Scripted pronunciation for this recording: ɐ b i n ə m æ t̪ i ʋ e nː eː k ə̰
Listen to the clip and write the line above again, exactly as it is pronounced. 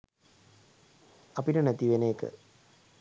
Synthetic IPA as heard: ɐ p i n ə n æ t̪ i ʋ e n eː k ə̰